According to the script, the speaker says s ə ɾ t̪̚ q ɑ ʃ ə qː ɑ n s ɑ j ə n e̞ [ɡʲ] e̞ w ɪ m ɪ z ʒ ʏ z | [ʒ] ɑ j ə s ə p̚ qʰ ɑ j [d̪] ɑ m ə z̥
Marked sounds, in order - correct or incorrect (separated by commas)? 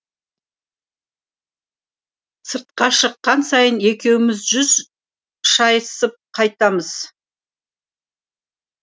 incorrect, incorrect, incorrect